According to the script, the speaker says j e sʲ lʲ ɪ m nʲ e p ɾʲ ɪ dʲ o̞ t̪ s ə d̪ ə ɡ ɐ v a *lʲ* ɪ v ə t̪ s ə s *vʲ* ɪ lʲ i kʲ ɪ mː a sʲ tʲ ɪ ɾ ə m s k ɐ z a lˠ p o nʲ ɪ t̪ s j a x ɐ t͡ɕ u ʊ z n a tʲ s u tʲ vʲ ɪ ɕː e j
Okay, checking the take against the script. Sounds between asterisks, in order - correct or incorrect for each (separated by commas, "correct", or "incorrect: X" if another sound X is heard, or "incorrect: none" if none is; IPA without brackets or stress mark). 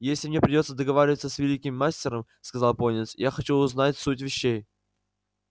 incorrect: ɾʲ, correct